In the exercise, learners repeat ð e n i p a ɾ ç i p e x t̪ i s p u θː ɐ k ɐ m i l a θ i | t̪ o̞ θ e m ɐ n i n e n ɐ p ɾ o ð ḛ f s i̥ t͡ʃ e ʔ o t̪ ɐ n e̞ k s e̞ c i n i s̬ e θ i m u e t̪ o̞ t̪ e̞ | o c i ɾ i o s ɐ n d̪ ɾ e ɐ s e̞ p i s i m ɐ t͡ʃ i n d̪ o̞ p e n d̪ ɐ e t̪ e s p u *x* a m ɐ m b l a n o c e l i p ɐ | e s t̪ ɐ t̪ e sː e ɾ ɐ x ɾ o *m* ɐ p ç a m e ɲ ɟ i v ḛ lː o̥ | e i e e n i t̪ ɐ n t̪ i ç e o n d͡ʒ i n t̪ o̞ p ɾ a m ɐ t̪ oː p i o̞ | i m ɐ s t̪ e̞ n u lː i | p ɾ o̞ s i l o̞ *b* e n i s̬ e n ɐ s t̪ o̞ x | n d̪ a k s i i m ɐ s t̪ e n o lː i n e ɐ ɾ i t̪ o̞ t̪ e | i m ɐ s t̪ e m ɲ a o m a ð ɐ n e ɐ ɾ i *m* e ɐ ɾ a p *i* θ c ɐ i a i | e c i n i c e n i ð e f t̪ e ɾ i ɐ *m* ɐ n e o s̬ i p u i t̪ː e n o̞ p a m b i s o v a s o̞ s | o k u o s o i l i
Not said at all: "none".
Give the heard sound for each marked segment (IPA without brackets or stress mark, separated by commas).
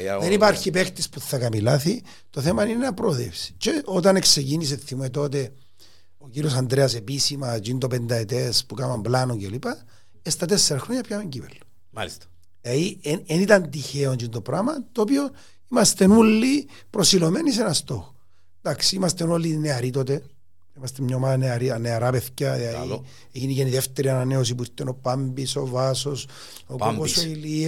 k, ɲ, m, n, e, n